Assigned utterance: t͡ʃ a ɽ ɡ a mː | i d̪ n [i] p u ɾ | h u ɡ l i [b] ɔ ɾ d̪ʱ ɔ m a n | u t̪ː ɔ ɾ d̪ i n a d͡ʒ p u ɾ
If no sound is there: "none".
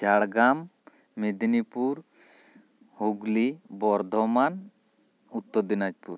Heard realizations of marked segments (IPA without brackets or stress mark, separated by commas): i, b